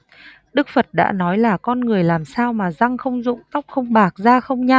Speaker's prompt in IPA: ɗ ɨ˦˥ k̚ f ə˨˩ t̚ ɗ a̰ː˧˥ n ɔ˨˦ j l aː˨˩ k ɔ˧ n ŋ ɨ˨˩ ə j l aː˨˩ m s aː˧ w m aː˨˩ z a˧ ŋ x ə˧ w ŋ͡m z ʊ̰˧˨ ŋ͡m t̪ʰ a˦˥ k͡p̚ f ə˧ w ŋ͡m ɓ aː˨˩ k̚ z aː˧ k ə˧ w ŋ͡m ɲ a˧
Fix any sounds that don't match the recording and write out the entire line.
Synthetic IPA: ɗ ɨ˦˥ k̚ f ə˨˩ t̚ ɗ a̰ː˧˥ n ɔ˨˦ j l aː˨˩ k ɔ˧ n ŋ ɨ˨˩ ə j l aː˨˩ m s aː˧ w m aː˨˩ z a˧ ŋ x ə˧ w ŋ͡m z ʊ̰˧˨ ŋ͡m t̪ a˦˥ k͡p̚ x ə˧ w ŋ͡m ɓ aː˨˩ k̚ z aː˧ x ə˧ w ŋ͡m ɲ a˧